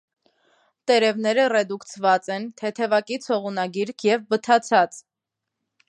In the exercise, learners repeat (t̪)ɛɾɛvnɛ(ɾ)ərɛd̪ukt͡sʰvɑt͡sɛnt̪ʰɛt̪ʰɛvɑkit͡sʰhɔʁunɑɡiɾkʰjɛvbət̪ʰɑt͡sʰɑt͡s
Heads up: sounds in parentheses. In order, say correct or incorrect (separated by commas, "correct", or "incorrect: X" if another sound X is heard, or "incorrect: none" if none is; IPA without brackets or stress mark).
correct, correct